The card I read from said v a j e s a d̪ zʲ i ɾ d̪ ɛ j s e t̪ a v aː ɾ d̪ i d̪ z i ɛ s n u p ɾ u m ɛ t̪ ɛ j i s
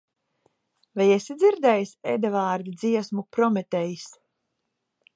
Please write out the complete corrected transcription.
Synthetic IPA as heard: v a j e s i d̪ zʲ i ɾ d̪ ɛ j s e d̪ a v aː ɾ d̪ i d̪ z i ɛ s m u p ɾ ɔ m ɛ t̪ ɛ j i s